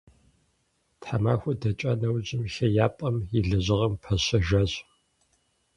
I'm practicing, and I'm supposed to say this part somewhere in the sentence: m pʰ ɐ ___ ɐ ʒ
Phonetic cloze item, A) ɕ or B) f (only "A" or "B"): A